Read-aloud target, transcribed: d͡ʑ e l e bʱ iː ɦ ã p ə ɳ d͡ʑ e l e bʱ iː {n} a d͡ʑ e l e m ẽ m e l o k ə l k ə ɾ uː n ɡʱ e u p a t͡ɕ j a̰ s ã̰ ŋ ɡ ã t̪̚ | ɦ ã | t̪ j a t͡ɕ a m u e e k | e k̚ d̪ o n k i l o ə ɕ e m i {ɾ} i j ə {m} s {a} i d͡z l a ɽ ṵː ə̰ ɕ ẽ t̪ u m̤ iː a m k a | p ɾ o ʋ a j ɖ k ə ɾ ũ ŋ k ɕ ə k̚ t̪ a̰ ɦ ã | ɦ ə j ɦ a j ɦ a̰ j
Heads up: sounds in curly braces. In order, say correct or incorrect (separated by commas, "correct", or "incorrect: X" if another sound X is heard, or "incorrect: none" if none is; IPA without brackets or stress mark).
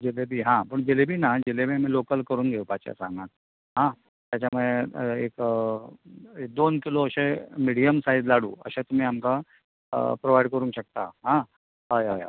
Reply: correct, incorrect: ɽ, correct, correct